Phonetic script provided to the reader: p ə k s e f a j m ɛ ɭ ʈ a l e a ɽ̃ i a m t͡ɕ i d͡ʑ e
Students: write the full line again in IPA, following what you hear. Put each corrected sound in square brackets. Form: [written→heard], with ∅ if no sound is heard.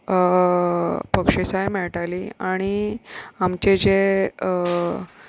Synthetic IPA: p ə k [s→ʂ] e [f→s] a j m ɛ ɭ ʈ a l [e→i] a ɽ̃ i a m t͡ɕ [i→e] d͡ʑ e

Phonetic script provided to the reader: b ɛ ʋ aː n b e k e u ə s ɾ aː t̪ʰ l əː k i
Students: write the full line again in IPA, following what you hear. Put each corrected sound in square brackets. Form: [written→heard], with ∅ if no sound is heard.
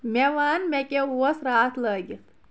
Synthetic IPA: [b→m] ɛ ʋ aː n [b→m] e k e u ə s ɾ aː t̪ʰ l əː [k→ɡ] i

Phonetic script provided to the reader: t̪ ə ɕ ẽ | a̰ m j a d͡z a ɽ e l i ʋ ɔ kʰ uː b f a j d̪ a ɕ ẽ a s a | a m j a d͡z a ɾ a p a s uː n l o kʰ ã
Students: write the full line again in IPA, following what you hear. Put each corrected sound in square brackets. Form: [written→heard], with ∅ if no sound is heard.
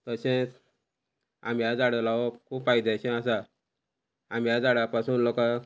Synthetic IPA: t̪ ə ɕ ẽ | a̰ m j a d͡z a ɽ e l [i→a] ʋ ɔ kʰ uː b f a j d̪ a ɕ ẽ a s a | a m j a d͡z a [ɾ→ɽ] a p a s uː n l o [kʰ→k] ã

